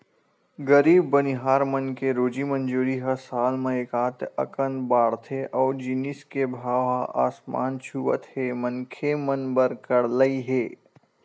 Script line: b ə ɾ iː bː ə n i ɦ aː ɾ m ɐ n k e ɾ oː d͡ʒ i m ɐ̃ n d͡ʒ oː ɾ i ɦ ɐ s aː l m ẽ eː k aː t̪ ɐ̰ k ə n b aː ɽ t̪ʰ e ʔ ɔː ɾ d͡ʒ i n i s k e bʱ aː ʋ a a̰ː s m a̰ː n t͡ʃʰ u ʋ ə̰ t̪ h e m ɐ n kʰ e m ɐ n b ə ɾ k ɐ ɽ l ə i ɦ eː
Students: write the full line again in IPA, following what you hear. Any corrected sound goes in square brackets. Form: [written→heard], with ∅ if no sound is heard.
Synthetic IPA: [b→ɡ] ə ɾ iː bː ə n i ɦ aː ɾ m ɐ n k e ɾ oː d͡ʒ i m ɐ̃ n d͡ʒ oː ɾ i ɦ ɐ s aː l m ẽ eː k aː t̪ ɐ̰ k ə n b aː ɽ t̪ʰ e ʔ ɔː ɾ d͡ʒ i n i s k e bʱ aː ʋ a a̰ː s m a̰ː n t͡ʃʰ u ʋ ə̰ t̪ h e m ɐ n kʰ e m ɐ n b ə ɾ k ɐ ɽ l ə i ɦ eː